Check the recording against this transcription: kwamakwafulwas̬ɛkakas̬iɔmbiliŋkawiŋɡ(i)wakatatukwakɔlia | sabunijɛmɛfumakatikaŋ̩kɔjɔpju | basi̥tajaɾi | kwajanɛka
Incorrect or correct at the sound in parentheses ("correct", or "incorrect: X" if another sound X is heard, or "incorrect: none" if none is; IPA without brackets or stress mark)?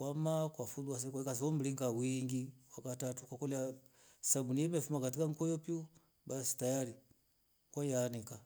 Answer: correct